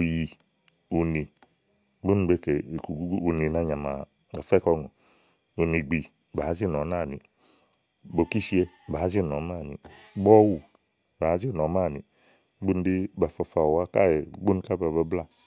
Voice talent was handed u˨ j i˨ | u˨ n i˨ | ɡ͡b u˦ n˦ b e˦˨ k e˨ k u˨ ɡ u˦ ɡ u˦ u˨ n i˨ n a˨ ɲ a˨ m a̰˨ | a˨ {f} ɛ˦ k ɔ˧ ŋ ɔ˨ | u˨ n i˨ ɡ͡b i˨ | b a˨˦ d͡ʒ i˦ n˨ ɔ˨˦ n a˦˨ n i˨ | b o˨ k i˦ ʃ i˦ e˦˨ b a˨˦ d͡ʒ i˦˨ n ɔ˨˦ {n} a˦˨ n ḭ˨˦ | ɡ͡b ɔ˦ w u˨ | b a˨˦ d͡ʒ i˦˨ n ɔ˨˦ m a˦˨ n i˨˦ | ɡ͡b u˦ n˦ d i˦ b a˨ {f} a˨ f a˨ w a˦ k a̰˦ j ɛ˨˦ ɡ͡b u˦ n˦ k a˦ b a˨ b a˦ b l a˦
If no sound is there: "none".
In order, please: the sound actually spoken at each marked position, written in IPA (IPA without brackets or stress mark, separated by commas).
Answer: f, m, f